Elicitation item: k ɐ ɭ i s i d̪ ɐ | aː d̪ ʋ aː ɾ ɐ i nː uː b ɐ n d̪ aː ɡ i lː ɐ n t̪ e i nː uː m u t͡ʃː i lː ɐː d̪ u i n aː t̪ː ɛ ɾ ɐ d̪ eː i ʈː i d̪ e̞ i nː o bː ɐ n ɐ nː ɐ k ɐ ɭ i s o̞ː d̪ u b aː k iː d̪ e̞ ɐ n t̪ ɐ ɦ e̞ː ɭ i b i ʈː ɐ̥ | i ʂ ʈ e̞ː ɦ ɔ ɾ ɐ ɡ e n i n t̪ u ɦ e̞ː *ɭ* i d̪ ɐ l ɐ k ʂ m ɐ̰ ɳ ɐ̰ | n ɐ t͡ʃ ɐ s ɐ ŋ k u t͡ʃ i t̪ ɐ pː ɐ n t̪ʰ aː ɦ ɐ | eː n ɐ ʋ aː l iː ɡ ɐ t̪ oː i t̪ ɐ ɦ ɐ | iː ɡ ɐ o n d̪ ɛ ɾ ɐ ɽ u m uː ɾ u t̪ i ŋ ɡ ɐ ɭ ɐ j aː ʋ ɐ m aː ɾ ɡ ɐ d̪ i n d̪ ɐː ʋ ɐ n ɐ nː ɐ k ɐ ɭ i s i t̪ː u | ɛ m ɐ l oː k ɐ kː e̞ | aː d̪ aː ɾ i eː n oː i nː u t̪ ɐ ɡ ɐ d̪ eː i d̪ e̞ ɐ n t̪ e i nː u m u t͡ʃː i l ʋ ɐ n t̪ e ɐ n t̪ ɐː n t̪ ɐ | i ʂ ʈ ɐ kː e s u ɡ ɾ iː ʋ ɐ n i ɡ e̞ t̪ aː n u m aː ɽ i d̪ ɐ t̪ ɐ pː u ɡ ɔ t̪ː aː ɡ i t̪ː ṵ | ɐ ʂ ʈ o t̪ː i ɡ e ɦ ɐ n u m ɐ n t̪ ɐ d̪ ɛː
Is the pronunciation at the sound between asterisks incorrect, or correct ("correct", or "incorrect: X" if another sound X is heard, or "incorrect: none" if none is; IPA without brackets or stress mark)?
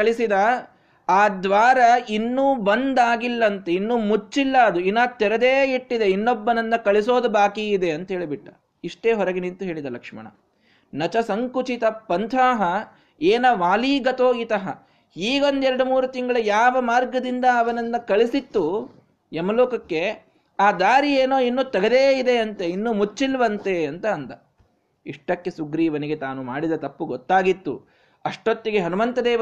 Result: correct